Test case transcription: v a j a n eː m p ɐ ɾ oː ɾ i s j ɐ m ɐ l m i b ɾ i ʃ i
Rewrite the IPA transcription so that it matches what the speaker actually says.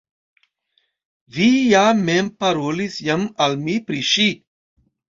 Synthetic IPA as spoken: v i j a m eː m p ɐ ɾ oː l i s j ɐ m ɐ l m i p ɾ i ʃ i

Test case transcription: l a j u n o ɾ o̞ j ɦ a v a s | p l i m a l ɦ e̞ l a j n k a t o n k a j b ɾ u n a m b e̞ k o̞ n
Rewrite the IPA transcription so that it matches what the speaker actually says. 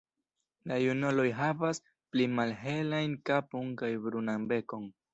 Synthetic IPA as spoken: l a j u n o l o̞ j ɦ a v a s | p l i m a l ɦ e̞ l a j n k a p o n k a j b ɾ u n a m b e̞ k o̞ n

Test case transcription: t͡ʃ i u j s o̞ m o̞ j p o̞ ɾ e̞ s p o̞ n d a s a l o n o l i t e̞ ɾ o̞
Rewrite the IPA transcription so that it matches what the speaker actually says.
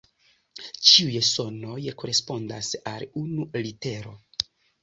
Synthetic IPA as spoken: t͡ʃ i u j s o̞ n o̞ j k o̞ ɾ e̞ s p o̞ n d a s a l u n u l i t e̞ ɾ o̞

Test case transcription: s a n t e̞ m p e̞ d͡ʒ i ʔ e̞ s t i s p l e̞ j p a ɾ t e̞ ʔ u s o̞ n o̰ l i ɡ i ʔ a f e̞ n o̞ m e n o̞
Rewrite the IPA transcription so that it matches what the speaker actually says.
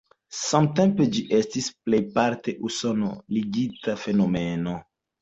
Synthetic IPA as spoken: s a m t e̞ m p e̞ d͡ʒ i ʔ e̞ s t i s p l e̞ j p a ɾ t e̞ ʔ u s o̞ n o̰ l i ɡ i t a f e̞ n o̞ m e n o̞

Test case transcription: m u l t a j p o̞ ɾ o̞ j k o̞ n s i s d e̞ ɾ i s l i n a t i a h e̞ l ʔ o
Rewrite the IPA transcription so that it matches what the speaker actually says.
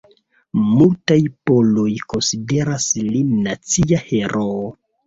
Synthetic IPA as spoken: m u l t a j p o̞ l o̞ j k o̞ n s i d e̞ ɾ a s l i n a t͡s i a h e̞ ɾ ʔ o

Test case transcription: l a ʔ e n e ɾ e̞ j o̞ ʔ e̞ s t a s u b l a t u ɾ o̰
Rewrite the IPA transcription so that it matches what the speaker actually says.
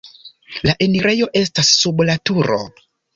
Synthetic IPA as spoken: l a ʔ e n i ɾ e̞ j o̞ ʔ e̞ s t a sː u b l a t u ɾ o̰

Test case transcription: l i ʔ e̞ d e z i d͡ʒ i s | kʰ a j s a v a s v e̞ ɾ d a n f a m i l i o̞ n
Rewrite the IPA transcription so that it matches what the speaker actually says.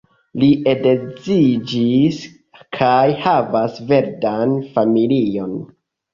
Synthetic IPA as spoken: l i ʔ e̞ d e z i d͡ʒ i s | kʰ a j h a v a s v e̞ ɾ d a n f a m i l i o̞ n

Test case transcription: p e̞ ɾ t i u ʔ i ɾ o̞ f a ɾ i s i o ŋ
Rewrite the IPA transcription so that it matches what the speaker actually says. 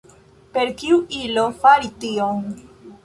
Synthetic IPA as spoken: p e̞ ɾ k i u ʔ i l o̞ f a ɾ i t i o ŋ

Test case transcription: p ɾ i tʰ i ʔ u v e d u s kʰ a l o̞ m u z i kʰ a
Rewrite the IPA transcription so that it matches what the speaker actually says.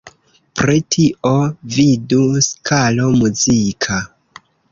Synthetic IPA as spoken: p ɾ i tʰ i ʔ o v i d u s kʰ a l o̞ m u z i kʰ a

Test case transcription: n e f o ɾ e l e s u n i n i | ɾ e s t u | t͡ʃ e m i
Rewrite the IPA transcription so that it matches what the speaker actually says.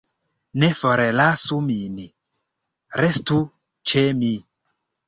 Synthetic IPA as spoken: n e f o ɾ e l a s u m i n i | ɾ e s t u | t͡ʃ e m i

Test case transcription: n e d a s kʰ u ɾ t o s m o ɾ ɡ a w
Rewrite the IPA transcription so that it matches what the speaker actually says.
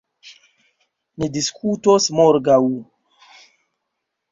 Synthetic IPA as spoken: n i d i s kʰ u t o s m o ɾ ɡ a w

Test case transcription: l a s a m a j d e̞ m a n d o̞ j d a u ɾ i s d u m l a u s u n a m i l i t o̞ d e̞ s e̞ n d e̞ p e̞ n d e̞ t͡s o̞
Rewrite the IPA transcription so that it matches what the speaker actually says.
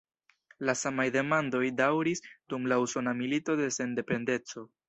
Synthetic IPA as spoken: l a s a m a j d e̞ m a n d o̞ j d a w ɾ i s d u m l a u s o n a m i l i t o̞ d e̞ s e̞ n d e̞ p e̞ n d e̞ t͡s o̞

